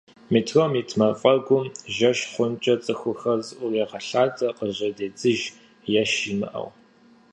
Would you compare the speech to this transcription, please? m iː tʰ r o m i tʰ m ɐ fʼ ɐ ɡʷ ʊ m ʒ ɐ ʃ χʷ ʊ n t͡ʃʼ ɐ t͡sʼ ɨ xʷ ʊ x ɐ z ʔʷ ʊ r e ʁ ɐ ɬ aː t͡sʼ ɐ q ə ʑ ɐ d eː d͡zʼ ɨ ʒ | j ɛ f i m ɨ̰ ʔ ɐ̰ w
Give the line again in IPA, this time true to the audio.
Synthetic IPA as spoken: m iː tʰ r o m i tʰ m ɐ fʼ ɐ ɡʷ ʊ m ʒ ɐ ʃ χʷ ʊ n t͡ʃʼ ɐ t͡sʼ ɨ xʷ ʊ x ɐ z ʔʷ ʊ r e ʁ ɐ ɬ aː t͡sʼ ɐ q ə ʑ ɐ d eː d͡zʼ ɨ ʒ | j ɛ ʃ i m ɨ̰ ʔ ɐ̰ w